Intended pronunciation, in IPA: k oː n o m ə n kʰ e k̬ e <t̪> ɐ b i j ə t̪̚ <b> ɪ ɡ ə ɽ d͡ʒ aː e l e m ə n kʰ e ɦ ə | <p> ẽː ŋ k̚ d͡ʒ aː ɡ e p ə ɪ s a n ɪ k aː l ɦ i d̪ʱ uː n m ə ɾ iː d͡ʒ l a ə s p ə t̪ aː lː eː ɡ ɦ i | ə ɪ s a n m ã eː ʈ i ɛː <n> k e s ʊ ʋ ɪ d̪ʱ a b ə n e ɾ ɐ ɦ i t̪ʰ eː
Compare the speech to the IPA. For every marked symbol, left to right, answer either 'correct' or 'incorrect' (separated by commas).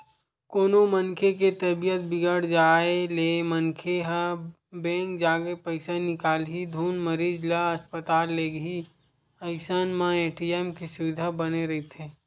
correct, correct, incorrect, incorrect